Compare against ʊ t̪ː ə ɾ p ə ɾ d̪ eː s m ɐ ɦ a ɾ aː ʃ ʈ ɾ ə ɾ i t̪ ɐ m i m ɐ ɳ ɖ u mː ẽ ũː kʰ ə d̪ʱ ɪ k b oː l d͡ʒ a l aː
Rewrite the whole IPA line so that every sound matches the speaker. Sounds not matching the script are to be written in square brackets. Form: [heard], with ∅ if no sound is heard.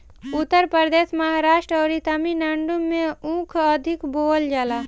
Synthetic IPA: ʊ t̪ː ə ɾ p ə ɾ d̪ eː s m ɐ ɦ a ɾ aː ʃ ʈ ɾ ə ɾ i t̪ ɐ m i [n] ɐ ɳ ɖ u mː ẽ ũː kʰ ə d̪ʱ ɪ k b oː l d͡ʒ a l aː